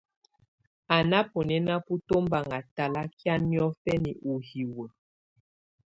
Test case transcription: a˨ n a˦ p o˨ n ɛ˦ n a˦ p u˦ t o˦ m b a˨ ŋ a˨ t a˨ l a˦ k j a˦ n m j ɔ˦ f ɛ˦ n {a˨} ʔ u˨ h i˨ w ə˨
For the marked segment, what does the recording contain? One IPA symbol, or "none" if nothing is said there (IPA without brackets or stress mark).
i˨